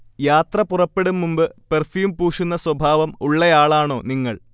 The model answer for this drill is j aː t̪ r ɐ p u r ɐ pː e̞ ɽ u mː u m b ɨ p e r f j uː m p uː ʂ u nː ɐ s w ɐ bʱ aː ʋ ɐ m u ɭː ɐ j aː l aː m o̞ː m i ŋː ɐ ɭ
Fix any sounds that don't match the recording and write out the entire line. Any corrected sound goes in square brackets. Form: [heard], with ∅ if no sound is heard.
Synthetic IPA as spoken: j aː t̪ r ɐ p u r ɐ pː e̞ ɽ u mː u m b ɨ p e r f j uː m p uː ʂ u nː ɐ s w ɐ bʱ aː ʋ ɐ m u ɭː ɐ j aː [ɭ] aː [ɳ] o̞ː [n] i ŋː ɐ ɭ